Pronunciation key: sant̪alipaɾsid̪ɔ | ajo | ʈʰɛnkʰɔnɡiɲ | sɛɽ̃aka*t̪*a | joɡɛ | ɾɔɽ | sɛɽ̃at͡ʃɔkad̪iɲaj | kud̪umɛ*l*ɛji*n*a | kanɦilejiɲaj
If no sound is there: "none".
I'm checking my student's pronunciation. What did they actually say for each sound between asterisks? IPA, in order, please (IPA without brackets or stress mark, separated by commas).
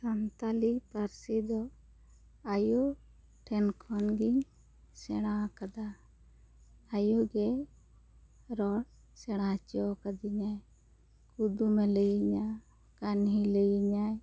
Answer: d̪, l, ɲ